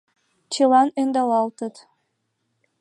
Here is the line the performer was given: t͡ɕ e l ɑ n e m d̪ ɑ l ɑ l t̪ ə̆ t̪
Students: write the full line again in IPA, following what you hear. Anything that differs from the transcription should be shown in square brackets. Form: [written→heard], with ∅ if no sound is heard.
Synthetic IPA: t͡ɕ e l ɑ n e [m→n] d̪ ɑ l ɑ l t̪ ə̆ t̪